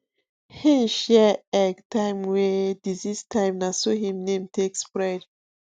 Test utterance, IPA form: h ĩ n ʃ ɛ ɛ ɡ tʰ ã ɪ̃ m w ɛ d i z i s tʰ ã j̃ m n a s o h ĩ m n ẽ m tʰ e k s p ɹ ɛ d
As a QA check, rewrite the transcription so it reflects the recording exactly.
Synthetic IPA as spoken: h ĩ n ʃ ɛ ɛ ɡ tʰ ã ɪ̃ m w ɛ d i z i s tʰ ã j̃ m n a s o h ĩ m n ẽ m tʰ e k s p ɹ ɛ d

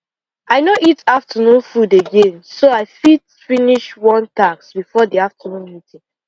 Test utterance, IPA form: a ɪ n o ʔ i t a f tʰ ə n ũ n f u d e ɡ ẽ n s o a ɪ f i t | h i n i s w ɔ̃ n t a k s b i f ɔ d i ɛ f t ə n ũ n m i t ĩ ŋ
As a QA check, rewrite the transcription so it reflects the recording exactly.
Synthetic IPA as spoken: a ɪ n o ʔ i t a f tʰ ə n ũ n f u d e ɡ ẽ n s o a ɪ f i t | f i n i ʃ w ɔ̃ n t a k s b i f ɔ d i a f t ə n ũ n m i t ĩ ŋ

